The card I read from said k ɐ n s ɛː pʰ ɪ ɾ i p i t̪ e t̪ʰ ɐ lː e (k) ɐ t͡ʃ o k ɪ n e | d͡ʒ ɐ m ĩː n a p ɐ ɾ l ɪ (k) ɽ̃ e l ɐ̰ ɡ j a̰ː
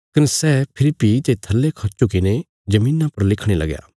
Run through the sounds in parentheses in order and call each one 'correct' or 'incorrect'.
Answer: incorrect, incorrect

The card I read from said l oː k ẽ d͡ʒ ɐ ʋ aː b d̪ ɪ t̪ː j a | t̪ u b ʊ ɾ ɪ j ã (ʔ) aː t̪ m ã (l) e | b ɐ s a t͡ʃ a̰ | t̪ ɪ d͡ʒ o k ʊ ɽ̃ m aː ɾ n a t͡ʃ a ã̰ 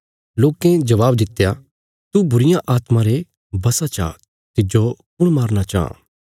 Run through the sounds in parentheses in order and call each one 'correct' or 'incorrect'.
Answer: correct, incorrect

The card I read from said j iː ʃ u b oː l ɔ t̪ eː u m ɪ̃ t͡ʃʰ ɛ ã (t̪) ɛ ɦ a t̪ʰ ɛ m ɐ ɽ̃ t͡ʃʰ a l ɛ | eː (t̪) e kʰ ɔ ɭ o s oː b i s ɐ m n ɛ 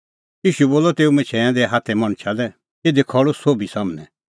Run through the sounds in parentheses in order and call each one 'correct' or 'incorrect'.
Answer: incorrect, incorrect

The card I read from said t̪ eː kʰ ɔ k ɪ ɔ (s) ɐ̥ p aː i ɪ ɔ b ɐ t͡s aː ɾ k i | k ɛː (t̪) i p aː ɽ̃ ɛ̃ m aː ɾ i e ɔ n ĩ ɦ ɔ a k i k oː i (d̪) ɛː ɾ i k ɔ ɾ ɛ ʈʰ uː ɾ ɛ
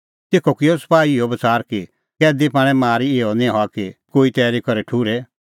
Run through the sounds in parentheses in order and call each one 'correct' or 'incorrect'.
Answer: correct, incorrect, incorrect

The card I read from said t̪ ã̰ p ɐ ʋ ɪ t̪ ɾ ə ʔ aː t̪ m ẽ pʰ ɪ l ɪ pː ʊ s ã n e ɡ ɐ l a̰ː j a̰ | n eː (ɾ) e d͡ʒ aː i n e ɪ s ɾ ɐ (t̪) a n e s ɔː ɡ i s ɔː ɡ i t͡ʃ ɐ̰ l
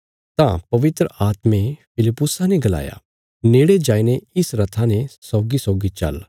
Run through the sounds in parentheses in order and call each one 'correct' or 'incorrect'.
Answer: incorrect, incorrect

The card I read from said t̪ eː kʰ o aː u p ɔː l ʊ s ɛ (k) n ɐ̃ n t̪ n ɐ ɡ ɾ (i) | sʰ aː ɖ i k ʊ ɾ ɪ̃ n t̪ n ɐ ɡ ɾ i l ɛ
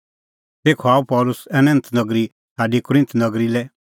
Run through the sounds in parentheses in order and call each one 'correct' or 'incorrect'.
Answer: incorrect, correct

